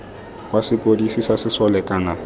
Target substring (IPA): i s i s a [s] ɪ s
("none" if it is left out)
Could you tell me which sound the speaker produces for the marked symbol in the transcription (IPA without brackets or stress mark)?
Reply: s